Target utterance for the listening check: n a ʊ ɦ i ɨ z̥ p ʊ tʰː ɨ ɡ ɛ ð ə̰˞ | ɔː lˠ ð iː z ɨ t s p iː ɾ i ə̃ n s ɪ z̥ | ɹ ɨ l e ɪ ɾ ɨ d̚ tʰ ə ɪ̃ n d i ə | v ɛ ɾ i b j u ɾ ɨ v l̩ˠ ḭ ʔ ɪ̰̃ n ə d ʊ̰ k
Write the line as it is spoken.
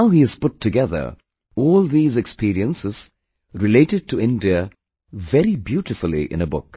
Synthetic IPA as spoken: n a ʊ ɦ i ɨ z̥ p ʊ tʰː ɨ ɡ ɛ ð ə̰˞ | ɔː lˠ ð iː z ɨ k s p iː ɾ i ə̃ n s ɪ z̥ | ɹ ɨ l e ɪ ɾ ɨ d̚ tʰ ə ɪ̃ n d i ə | v ɛ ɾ i b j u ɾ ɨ f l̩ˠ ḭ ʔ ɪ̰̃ n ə b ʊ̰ k

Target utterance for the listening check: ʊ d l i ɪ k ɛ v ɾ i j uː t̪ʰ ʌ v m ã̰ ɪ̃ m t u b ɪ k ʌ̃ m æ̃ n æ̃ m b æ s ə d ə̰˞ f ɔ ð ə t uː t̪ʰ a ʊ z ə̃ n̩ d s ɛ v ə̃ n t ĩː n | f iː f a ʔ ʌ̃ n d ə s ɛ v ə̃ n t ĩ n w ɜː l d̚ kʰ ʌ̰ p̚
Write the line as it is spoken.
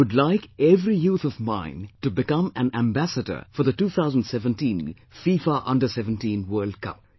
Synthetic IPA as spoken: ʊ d l a ɪ k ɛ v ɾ i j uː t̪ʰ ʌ v m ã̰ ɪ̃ n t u b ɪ k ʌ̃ m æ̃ n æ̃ m b æ s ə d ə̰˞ f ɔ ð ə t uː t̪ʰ a ʊ z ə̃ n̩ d s ɛ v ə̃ n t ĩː n | f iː f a ʔ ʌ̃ n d ə s ɛ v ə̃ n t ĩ n w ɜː l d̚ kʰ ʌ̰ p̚

